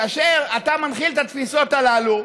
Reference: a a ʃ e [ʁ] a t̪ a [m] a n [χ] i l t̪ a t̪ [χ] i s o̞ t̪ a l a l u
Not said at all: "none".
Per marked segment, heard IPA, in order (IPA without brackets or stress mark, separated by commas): ʁ, m, χ, f